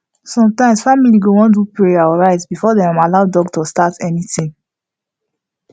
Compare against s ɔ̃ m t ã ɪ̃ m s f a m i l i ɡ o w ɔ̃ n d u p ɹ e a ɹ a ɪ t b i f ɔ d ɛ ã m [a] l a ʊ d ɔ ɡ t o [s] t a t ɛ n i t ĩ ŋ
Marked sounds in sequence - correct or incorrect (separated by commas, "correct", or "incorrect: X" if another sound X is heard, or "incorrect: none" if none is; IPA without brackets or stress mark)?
correct, correct